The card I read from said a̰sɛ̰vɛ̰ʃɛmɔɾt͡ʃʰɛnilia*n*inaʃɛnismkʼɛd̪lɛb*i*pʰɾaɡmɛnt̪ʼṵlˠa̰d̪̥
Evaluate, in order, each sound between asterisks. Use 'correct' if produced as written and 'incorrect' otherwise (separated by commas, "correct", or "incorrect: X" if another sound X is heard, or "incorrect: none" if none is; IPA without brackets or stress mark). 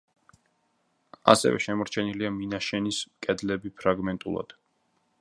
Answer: incorrect: m, correct